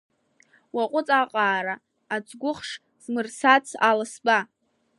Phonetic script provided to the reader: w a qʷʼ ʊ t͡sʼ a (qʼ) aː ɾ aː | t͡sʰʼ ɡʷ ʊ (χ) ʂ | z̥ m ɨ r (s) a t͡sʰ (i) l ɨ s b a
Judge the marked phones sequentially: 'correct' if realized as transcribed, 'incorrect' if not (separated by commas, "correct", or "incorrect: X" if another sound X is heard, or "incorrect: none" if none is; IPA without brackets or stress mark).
correct, correct, correct, incorrect: a